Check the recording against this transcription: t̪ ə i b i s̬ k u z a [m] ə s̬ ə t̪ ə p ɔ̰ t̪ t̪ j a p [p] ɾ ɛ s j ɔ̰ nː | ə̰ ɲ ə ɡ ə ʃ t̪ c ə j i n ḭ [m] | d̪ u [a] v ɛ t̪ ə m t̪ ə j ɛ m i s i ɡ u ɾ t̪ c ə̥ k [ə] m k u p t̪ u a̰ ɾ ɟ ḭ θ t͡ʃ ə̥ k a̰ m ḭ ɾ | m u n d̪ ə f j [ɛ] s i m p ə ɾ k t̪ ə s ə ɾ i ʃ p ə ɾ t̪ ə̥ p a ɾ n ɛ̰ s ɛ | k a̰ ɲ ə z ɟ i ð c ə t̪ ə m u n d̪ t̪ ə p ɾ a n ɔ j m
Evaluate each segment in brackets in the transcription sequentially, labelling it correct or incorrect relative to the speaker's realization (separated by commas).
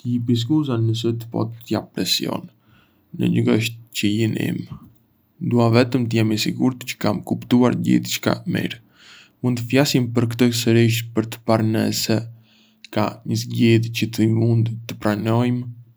incorrect, correct, correct, correct, incorrect, incorrect